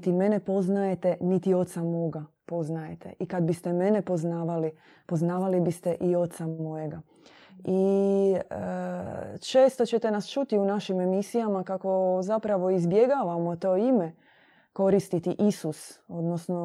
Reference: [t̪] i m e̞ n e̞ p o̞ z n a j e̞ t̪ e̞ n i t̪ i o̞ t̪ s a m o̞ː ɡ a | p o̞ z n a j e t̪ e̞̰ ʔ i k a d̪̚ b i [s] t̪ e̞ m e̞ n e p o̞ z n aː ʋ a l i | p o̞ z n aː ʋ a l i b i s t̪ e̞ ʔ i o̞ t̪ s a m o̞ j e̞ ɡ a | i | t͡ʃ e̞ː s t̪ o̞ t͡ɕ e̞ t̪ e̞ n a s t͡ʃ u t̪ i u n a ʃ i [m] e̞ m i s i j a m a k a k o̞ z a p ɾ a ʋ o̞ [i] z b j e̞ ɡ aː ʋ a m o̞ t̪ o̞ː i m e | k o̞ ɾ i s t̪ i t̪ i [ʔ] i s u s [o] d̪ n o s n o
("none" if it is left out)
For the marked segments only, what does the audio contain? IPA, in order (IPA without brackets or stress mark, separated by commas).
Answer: t̪, s, m, i, ʔ, o